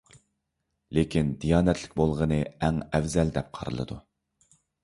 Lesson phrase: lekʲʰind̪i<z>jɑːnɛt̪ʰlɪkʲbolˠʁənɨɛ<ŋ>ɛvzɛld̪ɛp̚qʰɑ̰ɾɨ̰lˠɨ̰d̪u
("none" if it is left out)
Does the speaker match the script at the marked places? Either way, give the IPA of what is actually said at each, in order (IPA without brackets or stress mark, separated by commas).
none, ŋ